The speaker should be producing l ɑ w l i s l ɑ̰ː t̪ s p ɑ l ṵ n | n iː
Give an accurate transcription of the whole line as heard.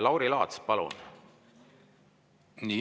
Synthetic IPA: l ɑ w ɾ i l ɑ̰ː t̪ s p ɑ l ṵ n | n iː